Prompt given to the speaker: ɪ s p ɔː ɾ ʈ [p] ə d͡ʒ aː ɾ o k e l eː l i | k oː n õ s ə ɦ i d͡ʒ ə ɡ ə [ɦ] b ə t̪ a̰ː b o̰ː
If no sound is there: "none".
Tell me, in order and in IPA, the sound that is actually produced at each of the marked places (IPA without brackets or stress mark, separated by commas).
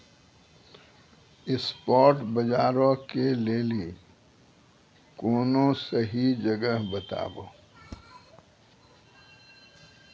b, ɦ